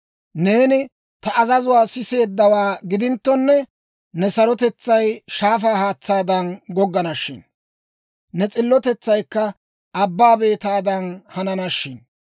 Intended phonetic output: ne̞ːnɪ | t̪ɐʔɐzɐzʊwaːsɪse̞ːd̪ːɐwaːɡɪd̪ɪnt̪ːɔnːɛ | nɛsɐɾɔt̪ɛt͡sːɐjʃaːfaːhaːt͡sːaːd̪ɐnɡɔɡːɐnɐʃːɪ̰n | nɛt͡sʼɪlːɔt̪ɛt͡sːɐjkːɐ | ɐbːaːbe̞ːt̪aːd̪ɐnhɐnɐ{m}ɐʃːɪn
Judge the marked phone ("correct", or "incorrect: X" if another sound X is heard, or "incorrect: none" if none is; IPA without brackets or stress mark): incorrect: n